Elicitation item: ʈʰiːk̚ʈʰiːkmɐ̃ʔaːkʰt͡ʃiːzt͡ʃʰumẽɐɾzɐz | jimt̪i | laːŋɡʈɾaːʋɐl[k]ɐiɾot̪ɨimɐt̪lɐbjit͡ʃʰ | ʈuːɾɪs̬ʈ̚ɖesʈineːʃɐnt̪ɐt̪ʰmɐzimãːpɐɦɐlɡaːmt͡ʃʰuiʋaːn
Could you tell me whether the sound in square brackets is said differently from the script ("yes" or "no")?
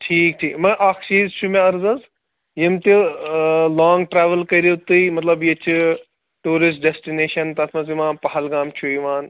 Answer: no